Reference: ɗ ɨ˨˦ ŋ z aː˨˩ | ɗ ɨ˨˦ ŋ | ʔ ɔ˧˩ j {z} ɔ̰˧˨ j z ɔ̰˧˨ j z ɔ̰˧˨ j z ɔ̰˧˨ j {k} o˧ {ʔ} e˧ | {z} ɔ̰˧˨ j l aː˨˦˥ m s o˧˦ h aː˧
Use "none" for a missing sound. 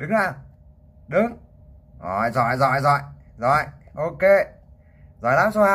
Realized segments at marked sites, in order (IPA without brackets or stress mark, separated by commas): z, ʔ, k, z